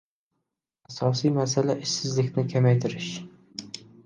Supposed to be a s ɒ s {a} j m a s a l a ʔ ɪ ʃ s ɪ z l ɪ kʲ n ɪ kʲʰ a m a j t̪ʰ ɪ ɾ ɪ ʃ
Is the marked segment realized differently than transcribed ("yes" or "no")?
yes